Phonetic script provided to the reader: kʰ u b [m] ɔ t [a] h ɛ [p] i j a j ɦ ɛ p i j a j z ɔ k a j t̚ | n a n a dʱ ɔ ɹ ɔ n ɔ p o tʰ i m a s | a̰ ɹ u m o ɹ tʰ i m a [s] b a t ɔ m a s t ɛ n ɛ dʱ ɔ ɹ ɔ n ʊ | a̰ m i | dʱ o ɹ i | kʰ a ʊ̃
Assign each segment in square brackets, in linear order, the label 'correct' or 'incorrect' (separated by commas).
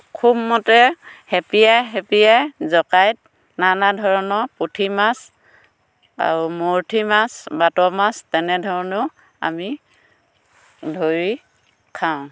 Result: correct, incorrect, correct, correct